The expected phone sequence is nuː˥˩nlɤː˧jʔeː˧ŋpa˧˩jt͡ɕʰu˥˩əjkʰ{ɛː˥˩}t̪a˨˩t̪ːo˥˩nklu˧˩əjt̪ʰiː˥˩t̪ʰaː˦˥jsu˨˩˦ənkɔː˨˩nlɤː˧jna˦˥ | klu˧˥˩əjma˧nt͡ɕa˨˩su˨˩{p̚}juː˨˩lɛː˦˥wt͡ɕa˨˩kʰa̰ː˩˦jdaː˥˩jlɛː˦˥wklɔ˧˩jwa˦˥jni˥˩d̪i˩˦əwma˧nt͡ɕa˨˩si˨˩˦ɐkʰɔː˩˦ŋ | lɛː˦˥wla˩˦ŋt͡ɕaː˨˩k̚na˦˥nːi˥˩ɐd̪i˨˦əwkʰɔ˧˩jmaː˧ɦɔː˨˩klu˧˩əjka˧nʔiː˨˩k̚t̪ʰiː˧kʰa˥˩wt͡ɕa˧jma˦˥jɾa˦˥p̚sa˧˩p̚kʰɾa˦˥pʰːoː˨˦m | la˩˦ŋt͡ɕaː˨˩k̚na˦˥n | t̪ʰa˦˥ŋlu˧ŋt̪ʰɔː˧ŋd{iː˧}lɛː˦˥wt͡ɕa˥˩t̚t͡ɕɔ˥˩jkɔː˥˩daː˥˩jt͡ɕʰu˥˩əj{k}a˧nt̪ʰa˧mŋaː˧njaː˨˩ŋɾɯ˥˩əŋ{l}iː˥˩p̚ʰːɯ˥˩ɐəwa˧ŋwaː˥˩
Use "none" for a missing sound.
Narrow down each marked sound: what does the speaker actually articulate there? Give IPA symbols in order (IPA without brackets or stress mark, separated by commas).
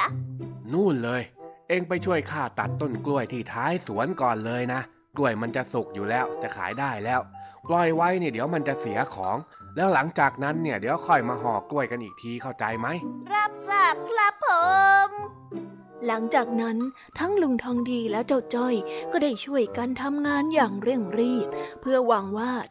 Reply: aː˥˩, k̚, iː˧, k, ɾ